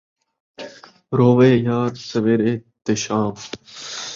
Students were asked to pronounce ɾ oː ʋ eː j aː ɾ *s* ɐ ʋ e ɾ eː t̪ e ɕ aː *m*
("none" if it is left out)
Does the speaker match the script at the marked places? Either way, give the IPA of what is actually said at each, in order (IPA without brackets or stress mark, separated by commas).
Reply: s, m